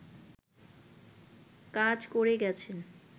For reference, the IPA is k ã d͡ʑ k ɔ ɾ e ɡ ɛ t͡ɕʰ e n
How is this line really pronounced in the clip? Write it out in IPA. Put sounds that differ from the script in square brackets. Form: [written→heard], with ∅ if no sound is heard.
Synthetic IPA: k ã d͡ʑ k [ɔ→o] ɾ e ɡ ɛ t͡ɕʰ e n